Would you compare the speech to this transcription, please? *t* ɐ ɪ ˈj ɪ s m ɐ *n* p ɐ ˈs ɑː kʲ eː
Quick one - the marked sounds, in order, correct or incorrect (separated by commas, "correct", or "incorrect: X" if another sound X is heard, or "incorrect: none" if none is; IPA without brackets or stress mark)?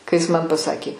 incorrect: k, correct